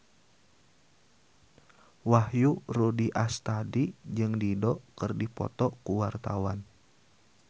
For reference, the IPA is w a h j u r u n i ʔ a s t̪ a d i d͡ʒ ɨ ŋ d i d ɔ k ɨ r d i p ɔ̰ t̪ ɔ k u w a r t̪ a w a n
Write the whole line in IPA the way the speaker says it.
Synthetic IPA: w a h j u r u d i ʔ a s t̪ a d i d͡ʒ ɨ ŋ d i d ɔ k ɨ r d i p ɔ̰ t̪ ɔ k u w a r t̪ a w a n